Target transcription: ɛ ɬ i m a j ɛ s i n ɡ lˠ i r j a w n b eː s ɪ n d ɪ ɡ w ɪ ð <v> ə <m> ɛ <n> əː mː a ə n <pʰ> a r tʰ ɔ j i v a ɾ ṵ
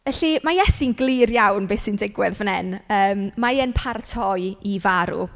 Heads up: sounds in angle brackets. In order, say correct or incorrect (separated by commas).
correct, incorrect, correct, correct